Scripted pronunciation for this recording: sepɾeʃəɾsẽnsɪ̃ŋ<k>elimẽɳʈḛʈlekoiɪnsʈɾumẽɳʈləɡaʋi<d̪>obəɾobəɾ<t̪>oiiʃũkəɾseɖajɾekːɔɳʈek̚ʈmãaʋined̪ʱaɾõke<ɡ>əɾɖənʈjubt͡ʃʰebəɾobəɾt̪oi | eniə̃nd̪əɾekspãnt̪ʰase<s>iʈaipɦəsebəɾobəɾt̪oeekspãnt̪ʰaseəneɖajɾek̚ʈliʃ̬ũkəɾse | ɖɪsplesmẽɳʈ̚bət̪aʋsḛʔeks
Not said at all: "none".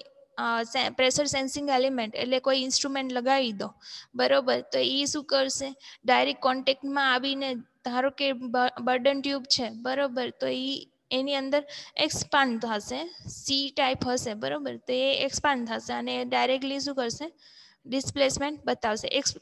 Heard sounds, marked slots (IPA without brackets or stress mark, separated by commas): ɡ, d̪, t̪, b, s